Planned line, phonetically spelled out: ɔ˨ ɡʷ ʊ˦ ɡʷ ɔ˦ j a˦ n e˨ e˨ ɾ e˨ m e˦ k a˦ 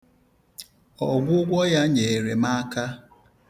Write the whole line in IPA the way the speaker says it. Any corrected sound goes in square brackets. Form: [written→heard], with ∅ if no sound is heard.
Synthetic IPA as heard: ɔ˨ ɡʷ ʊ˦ ɡʷ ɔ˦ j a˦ [n→ɲ] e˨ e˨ ɾ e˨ m [e˦→a˦] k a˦